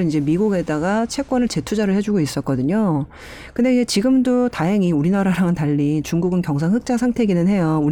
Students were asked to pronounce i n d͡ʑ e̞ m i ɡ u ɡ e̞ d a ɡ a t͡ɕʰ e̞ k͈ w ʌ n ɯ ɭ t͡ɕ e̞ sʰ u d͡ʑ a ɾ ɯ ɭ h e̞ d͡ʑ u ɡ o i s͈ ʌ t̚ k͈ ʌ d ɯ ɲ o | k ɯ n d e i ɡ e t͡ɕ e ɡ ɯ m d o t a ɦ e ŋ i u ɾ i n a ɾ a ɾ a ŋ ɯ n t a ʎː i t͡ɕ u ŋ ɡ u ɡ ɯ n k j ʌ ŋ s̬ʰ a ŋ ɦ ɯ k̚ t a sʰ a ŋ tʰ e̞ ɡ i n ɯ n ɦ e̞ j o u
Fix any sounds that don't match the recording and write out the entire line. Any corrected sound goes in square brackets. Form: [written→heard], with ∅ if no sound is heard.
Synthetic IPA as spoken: i n d͡ʑ e̞ m i ɡ u ɡ e̞ d a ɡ a t͡ɕʰ e̞ k͈ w ʌ n ɯ ɭ t͡ɕ e̞ [sʰ→tʰ] u d͡ʑ a ɾ ɯ ɭ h e̞ d͡ʑ u ɡ o i s͈ ʌ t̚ k͈ ʌ d ɯ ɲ o | k ɯ n d e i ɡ e t͡ɕ [e→i] ɡ ɯ m d o t a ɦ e ŋ i u ɾ i n a ɾ a ɾ a ŋ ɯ n t a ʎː i t͡ɕ u ŋ ɡ u ɡ ɯ n k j ʌ ŋ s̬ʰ a ŋ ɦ ɯ k̚ [t→t͡ɕ͈] a sʰ a ŋ tʰ e̞ ɡ i n ɯ n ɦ e̞ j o u